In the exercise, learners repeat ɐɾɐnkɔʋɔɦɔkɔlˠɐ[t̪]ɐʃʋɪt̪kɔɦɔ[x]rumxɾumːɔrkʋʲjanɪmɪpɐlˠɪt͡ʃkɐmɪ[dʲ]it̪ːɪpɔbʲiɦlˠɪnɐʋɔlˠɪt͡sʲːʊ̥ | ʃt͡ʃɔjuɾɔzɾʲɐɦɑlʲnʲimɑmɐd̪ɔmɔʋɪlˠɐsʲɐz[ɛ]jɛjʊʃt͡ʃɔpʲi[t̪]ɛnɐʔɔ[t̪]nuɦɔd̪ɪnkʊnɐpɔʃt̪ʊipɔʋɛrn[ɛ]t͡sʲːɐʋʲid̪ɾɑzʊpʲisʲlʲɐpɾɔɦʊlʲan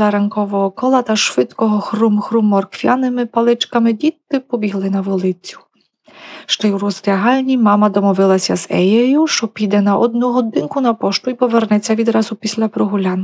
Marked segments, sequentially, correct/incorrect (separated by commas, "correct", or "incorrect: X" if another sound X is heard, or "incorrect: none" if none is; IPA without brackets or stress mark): correct, correct, correct, correct, incorrect: d̪, incorrect: d̪, correct